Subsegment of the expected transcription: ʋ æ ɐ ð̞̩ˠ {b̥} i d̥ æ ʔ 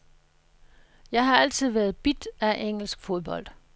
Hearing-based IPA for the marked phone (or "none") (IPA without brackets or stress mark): b̥